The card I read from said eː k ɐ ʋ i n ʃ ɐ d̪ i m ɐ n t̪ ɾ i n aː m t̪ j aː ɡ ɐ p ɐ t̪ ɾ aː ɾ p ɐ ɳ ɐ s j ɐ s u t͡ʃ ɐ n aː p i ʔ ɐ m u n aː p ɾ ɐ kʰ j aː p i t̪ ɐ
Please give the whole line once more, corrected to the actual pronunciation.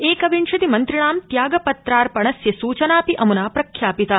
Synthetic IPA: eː k ɐ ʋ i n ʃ ɐ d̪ i m ɐ n t̪ ɾ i ɳ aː m t̪ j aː ɡ ɐ p ɐ t̪ ɾ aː ɾ p ɐ ɳ ɐ s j ɐ s uː t͡ʃ ɐ n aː p i ʔ ɐ m u n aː p ɾ ɐ kʰ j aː p i t̪ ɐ